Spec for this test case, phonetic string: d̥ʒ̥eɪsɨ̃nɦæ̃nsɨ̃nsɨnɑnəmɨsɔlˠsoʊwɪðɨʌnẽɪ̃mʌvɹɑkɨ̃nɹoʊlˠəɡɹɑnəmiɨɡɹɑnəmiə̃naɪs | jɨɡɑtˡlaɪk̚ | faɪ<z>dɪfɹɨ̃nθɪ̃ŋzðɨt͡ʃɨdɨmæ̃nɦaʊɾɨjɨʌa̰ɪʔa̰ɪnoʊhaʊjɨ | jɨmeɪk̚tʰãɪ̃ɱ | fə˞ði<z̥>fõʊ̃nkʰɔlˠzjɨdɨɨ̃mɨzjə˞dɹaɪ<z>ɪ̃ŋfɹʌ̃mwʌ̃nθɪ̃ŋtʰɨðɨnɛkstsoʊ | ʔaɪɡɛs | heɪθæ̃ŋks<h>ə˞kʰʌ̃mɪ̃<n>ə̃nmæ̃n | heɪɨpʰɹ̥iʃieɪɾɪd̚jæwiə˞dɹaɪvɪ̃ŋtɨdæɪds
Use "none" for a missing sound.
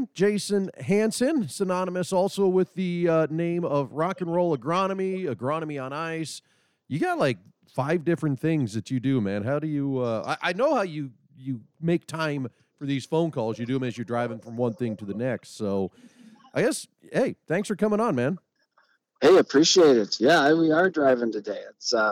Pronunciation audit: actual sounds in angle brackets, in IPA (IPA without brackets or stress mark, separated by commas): v, z̥, v, f, ŋ